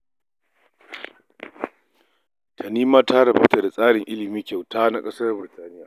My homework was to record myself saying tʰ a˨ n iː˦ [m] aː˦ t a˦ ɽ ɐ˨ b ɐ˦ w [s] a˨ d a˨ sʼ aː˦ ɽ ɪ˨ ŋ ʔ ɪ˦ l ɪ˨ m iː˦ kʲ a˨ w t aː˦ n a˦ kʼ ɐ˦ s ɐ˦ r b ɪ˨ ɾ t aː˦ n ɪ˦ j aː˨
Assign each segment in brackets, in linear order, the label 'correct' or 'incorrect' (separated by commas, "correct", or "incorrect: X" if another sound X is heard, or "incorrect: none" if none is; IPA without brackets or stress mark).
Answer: correct, incorrect: t